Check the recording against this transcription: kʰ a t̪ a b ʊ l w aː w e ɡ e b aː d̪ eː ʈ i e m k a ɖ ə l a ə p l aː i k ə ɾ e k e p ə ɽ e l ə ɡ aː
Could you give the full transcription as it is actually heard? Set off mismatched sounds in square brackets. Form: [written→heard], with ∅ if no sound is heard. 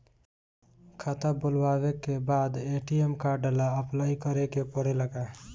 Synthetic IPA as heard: kʰ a t̪ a b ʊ l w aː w e [ɡ→k] e b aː d̪ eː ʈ i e m k a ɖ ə l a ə p l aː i k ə ɾ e k e p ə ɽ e l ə ɡ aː